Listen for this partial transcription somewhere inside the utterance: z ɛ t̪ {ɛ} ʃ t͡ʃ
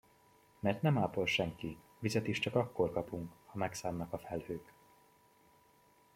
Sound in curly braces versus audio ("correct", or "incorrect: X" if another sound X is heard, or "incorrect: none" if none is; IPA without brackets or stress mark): incorrect: i